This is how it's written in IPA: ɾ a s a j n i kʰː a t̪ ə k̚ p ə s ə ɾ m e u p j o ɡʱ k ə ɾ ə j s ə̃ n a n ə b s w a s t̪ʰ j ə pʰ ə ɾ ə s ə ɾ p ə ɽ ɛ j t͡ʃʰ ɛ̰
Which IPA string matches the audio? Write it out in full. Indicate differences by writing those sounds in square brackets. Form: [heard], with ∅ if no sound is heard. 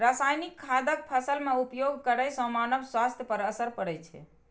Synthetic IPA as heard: ɾ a s a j n i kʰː a [d̪] ə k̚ [pʰ] ə s ə [l] m e u p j o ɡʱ k ə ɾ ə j s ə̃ [m] a n ə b s w a s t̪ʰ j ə [p] ə ɾ ə s ə ɾ p ə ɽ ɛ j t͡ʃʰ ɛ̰